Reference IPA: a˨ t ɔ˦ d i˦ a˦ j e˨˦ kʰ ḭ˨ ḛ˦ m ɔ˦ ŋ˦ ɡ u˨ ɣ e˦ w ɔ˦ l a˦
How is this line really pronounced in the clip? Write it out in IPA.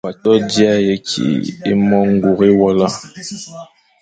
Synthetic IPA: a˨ t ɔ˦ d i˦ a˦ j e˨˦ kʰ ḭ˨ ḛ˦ m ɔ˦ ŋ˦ ɡ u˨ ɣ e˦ w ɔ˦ l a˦

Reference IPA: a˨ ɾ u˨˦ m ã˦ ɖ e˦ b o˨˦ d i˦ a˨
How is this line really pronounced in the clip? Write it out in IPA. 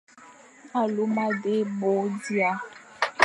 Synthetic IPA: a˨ l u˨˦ m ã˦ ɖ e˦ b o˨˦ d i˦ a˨

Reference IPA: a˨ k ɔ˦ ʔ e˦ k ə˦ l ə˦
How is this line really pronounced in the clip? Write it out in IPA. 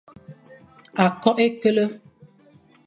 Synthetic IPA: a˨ k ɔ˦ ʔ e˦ k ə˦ l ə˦

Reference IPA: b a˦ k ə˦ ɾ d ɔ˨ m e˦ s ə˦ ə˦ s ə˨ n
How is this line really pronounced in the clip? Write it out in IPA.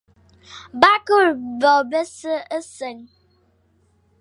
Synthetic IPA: b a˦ k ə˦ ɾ b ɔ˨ b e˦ s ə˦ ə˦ s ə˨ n

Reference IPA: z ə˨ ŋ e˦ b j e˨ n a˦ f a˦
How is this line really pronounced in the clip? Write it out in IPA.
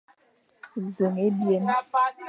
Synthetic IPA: z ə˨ ŋ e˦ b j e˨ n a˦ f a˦

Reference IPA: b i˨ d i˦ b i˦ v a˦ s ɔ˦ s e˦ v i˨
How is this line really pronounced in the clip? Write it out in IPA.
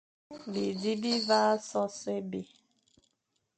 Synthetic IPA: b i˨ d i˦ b i˦ v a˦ s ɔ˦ s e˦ b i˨

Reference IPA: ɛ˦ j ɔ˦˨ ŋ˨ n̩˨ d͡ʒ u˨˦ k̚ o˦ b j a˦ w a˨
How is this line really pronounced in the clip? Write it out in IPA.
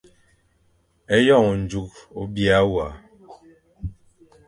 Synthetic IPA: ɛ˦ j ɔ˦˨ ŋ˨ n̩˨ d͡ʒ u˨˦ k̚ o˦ b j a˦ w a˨

